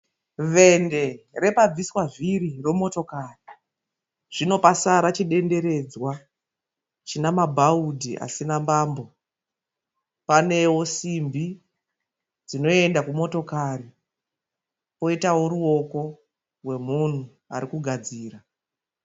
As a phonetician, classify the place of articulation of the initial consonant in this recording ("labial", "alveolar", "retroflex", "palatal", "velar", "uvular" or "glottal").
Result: labial